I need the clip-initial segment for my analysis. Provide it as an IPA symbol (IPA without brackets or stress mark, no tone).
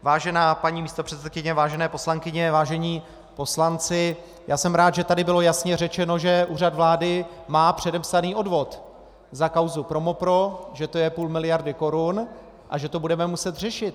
v